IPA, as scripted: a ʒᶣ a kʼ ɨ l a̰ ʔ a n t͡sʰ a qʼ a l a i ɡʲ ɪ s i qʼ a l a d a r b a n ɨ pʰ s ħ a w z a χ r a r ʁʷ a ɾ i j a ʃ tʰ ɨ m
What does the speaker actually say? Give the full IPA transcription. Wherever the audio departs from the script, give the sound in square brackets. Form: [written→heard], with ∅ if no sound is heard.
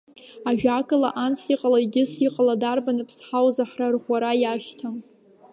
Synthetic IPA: a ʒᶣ a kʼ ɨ l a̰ ʔ a n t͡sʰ [a→i] qʼ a l a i ɡʲ ɪ s i qʼ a l a d a r b a n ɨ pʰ s ħ a w z a [χ→ħ] r a r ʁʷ a ɾ [i→a] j a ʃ tʰ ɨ m